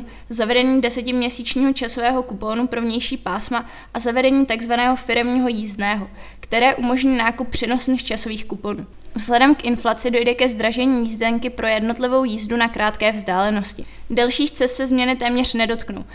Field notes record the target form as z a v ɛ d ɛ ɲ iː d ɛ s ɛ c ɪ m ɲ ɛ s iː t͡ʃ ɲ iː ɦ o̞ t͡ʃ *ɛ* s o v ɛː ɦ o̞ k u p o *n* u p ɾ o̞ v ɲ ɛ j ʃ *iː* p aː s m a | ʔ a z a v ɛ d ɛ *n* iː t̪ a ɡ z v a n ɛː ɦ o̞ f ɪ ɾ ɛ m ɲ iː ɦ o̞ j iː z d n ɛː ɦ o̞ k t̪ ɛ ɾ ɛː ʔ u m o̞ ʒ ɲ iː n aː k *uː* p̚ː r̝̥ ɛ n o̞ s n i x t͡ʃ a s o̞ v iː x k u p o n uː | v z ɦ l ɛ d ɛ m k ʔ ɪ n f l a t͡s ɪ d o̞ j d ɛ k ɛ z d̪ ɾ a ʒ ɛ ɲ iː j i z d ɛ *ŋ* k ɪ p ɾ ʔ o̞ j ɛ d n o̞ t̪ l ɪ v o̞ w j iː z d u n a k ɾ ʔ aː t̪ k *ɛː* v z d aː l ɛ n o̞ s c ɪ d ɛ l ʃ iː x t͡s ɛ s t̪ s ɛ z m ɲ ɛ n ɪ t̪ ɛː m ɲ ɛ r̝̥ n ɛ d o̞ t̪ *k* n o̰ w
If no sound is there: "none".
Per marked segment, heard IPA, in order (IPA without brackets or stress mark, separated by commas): a, n, iː, ɲ, u, ŋ, ɛː, k